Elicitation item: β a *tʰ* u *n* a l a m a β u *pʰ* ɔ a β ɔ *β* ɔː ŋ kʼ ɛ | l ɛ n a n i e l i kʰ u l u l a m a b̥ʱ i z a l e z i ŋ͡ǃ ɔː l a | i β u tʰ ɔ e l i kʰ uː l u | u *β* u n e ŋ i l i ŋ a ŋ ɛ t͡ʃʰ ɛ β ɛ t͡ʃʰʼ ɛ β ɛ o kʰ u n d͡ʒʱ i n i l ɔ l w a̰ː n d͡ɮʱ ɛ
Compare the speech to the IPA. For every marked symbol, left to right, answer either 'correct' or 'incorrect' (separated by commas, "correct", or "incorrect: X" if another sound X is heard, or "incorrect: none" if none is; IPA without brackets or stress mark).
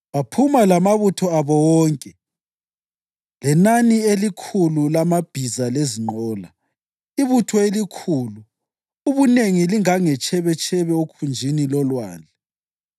incorrect: pʰ, incorrect: m, incorrect: tʰ, incorrect: w, correct